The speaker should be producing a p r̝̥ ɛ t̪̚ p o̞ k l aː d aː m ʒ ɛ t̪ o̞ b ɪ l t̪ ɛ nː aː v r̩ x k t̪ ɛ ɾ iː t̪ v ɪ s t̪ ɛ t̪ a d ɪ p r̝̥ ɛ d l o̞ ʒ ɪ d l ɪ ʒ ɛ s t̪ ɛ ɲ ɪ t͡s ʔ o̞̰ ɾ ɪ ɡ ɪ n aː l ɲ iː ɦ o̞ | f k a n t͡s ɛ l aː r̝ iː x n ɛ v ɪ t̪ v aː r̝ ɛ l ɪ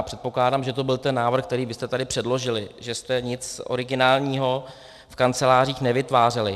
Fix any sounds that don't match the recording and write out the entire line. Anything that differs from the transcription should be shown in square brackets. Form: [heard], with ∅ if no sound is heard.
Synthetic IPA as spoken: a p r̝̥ ɛ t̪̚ p o̞ k l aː d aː m ʒ ɛ t̪ o̞ b ɪ l t̪ ɛ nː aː v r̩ x k t̪ ɛ ɾ iː [∅] v ɪ s t̪ ɛ t̪ a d ɪ p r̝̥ ɛ d l o̞ ʒ ɪ [∅] l ɪ ʒ ɛ s t̪ ɛ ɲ ɪ t͡s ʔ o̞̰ ɾ ɪ ɡ ɪ n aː l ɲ iː ɦ o̞ | f k a n t͡s ɛ l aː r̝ iː x n ɛ v ɪ t̪ v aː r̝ ɛ l ɪ